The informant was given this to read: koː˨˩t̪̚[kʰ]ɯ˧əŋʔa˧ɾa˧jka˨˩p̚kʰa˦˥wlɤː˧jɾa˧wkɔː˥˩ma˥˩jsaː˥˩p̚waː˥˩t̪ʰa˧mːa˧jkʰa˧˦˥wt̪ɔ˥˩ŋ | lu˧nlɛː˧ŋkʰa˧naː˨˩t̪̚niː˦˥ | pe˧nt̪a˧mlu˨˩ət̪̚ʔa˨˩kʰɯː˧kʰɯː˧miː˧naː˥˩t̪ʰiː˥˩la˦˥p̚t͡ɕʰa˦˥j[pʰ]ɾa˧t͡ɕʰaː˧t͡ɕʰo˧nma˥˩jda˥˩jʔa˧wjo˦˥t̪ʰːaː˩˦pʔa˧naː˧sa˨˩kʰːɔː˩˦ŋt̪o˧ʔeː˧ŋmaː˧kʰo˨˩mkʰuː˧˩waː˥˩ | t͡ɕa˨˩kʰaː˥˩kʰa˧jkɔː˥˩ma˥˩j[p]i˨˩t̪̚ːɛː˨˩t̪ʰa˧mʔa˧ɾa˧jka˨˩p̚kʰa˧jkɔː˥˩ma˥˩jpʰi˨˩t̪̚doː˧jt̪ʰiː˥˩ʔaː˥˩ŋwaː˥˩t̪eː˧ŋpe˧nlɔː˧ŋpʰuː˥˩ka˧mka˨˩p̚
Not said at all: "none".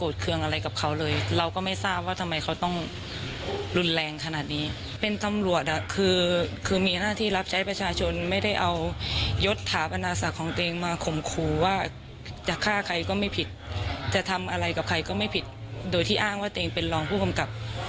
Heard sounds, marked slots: kʰ, p, pʰ

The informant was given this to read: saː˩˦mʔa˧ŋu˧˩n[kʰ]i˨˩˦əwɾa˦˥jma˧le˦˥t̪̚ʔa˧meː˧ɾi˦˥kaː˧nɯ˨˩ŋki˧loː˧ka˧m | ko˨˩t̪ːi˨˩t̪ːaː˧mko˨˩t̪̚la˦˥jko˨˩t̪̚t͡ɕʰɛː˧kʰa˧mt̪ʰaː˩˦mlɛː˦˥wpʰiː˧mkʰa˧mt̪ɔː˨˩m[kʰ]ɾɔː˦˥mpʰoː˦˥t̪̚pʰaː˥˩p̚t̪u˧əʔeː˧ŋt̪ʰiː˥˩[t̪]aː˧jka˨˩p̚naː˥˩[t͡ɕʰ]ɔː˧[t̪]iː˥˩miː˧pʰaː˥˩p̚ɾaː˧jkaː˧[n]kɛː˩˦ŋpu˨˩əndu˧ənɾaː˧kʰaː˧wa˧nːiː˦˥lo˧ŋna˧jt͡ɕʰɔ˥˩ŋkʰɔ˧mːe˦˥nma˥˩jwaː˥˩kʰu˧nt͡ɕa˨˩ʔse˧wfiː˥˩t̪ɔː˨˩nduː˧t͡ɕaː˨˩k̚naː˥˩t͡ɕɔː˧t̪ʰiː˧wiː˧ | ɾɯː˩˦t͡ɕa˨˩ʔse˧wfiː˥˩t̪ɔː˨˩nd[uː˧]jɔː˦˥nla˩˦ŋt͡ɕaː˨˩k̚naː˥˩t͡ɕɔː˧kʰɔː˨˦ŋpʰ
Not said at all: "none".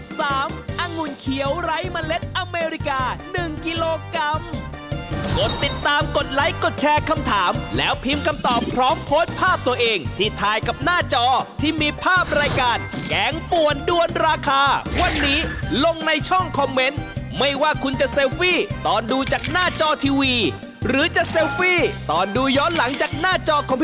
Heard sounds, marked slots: kʰ, pʰ, t̪ʰ, t͡ɕ, t̪ʰ, n, uː˧

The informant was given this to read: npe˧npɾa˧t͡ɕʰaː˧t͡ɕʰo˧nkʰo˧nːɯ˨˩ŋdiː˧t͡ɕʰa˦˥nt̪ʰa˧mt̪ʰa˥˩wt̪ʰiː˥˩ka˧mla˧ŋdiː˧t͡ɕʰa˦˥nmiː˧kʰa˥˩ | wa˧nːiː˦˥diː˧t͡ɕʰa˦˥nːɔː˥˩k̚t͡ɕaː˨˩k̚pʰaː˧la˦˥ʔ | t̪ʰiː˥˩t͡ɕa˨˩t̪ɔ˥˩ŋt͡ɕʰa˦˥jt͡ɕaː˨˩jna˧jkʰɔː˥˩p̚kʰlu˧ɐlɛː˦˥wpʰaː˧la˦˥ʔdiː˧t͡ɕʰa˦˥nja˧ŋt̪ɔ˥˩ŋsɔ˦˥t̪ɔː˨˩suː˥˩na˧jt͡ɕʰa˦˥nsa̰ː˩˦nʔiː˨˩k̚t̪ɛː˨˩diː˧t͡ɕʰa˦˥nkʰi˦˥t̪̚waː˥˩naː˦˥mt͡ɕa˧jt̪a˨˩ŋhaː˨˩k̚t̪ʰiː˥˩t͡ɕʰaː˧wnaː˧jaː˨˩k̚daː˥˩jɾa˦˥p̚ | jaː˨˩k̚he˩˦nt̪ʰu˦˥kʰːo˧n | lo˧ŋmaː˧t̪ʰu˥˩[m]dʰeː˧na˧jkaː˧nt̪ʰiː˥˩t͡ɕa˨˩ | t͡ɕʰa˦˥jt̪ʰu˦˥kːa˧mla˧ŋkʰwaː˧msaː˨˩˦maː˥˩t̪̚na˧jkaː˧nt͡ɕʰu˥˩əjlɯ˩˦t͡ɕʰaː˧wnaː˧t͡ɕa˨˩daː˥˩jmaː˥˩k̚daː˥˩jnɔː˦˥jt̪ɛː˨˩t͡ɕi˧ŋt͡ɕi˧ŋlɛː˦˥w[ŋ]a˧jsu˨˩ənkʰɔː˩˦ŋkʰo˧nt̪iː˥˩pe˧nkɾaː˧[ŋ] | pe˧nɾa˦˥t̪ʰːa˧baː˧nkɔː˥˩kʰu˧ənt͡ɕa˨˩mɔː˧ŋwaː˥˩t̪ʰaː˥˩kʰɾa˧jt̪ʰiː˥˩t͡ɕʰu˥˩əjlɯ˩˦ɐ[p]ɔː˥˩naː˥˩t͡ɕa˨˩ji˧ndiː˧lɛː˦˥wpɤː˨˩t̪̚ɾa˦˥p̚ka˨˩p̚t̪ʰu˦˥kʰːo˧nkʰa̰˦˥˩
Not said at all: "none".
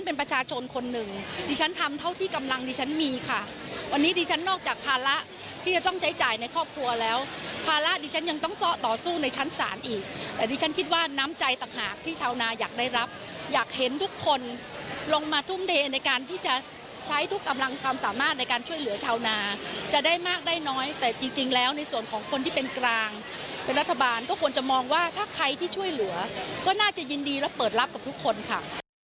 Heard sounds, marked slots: m, n, ŋ, k

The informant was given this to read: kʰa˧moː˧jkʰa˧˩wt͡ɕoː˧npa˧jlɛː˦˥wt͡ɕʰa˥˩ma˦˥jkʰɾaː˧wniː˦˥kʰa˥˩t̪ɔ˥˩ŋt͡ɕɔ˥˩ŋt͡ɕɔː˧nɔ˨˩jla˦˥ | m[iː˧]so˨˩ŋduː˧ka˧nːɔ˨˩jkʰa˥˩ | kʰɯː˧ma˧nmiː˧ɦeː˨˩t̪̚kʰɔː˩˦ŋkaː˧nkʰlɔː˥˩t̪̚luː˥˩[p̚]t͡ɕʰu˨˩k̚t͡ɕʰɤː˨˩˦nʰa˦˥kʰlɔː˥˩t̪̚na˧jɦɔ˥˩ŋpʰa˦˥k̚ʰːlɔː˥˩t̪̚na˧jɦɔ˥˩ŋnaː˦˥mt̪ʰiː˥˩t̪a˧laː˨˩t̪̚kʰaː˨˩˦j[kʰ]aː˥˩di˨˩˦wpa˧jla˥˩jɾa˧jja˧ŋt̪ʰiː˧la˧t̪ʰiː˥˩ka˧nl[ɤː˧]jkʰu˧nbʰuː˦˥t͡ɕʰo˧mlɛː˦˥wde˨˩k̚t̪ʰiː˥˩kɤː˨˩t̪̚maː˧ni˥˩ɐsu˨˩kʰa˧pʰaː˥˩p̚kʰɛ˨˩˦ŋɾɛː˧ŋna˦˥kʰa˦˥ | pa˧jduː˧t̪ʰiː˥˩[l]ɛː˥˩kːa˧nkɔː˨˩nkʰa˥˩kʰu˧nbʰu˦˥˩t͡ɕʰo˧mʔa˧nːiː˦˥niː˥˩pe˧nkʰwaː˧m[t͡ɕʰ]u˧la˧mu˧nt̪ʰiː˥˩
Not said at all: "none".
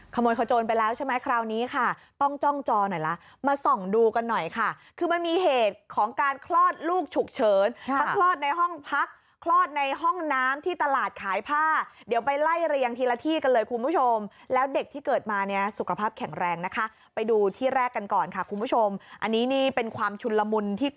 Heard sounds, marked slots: aː˧, k̚, pʰ, ɤː˧, ɾ, t͡ɕʰ

